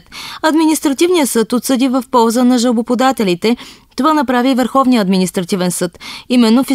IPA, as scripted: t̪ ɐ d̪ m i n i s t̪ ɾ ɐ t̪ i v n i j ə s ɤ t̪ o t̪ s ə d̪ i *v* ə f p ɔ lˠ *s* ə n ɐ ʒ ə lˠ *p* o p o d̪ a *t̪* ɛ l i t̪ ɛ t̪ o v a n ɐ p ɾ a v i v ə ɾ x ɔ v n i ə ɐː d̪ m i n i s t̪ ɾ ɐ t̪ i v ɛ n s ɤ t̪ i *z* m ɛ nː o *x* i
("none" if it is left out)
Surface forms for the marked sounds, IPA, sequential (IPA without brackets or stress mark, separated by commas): v, z, b, t̪, none, f